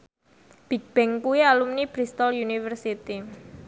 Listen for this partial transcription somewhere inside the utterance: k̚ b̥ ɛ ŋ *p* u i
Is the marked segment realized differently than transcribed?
yes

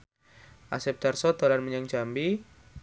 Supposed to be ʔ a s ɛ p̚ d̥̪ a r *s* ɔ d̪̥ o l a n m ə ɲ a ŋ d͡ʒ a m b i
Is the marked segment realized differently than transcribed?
no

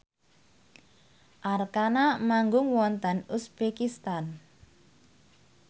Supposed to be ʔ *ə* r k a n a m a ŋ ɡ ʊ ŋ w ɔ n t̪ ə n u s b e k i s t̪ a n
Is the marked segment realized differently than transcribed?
yes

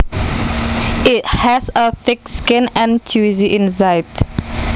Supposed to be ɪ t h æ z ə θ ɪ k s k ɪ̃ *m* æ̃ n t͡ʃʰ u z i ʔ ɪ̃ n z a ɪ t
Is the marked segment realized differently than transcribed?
yes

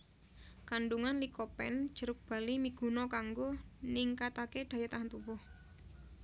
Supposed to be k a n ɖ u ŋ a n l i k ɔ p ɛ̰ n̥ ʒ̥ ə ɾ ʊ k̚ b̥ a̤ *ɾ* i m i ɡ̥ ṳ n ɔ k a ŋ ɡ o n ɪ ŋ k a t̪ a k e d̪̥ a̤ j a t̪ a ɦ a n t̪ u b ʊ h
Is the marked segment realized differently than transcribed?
yes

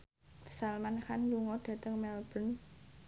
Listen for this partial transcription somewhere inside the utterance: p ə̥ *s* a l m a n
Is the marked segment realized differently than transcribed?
no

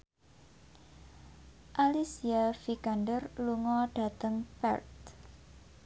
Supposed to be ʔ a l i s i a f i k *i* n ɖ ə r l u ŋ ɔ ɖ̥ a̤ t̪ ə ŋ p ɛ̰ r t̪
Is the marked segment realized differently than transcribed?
yes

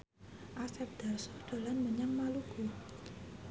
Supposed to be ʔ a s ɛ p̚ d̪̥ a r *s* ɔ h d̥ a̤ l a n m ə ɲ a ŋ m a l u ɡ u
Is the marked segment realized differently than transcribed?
no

